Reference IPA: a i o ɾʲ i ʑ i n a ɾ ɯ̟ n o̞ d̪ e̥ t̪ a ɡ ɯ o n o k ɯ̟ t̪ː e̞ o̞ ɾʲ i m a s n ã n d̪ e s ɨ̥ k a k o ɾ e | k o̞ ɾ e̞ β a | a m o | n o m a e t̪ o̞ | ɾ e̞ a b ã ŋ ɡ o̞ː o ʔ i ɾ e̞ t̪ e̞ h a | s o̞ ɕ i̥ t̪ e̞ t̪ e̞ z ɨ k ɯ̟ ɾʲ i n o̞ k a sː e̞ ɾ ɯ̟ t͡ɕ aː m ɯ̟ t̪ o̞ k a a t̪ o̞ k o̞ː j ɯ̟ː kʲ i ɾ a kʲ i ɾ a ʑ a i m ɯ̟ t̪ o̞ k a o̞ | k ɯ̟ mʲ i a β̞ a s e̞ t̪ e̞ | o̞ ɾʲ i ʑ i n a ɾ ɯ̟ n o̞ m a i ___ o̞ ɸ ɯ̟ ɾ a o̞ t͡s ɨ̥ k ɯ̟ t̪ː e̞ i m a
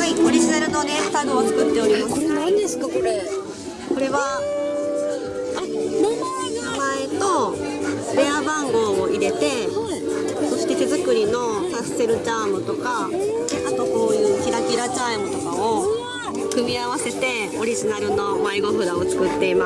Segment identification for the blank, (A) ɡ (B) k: A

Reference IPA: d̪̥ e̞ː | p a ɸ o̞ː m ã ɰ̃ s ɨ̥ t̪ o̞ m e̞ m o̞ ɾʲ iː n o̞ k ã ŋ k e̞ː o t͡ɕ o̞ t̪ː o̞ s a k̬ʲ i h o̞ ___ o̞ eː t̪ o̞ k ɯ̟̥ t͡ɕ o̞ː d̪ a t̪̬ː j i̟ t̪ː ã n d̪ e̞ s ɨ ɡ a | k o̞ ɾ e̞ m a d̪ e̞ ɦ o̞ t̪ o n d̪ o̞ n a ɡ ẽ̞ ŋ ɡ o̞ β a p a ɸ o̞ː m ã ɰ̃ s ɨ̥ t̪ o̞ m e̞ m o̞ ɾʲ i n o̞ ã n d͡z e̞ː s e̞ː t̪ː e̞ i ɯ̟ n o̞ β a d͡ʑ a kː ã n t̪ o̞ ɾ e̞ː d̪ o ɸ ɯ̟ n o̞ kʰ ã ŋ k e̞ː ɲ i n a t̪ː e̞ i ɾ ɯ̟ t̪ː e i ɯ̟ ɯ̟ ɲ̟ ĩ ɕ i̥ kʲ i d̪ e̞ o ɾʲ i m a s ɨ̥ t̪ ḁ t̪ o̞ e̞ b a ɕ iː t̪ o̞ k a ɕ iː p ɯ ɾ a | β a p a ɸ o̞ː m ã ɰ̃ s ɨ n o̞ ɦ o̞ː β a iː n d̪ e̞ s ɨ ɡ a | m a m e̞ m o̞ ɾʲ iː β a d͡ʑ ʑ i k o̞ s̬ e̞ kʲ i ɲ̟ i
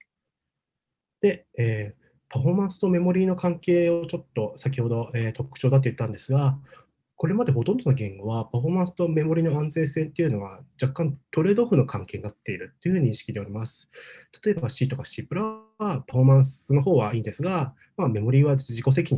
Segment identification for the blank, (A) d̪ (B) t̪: A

